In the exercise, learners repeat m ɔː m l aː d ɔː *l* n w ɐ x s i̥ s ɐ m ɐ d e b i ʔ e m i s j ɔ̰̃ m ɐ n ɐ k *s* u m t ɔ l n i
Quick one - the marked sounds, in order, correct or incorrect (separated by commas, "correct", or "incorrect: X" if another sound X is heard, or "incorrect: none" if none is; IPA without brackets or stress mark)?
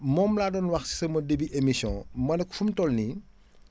incorrect: none, incorrect: f